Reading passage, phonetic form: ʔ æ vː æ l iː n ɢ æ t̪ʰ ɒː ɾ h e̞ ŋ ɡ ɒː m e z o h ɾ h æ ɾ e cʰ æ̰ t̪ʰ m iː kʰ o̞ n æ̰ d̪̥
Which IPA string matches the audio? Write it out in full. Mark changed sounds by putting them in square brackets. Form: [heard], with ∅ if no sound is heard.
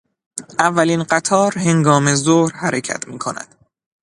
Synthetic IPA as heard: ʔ æ vː æ l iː n ɢ æ t̪ʰ ɒː ɾ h e̞ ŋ ɡ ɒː m e z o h ɾ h æ ɾ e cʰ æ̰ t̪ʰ m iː kʰ o̞ n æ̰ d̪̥